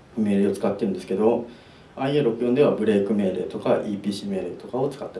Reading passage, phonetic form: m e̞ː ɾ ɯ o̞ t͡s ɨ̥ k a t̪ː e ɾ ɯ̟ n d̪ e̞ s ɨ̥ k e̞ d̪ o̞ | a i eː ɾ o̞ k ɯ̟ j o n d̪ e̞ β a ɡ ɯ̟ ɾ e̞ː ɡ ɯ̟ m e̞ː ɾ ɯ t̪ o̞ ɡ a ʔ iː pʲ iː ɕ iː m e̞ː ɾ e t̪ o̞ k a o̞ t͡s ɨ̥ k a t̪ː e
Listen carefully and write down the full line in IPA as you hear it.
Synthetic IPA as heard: m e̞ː ɾ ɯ o̞ t͡s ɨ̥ k a t̪ː e ɾ ɯ̟ n d̪ e̞ s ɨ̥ k e̞ d̪ o̞ | a i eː ɾ o̞ k ɯ̟ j o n d̪ e̞ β a b ɯ̟ ɾ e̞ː k ɯ̟ m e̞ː ɾ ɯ t̪ o̞ k a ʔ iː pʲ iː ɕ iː m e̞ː ɾ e t̪ o̞ k a o̞ t͡s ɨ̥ k a t̪ː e